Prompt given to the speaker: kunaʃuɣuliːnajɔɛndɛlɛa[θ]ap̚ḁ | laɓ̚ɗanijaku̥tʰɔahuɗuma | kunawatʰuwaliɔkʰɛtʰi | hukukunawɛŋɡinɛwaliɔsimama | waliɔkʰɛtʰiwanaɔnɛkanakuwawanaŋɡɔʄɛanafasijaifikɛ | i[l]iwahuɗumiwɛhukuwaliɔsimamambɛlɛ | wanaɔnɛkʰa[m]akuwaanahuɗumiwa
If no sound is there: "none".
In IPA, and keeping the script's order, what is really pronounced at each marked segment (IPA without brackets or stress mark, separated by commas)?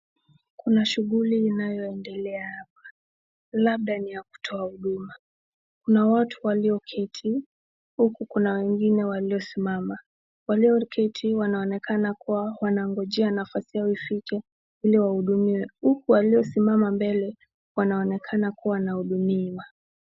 h, l, n